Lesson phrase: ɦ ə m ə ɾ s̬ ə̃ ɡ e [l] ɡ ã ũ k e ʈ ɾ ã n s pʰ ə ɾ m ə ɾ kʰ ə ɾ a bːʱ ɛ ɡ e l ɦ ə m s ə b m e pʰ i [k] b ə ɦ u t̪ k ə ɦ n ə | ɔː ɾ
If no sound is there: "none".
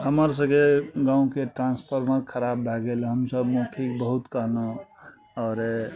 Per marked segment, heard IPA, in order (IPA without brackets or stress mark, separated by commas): none, k